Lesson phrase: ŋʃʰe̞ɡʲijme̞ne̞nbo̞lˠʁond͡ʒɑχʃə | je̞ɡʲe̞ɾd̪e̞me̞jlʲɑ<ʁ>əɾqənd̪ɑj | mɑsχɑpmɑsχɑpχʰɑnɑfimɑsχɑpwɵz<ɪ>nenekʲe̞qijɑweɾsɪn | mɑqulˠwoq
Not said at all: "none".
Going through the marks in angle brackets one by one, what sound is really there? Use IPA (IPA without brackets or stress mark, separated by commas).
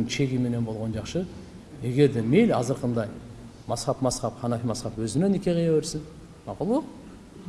z, ɪ